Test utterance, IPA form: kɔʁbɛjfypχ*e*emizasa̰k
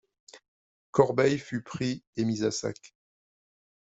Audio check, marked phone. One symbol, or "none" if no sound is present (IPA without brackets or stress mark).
i